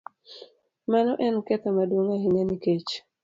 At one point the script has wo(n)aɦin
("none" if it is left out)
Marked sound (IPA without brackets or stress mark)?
ŋ